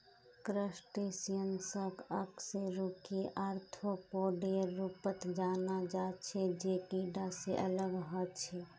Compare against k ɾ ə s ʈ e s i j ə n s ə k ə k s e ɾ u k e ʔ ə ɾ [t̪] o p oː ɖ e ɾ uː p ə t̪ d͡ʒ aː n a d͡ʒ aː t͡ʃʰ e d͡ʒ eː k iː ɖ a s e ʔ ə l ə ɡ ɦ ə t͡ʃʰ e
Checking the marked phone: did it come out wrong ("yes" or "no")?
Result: yes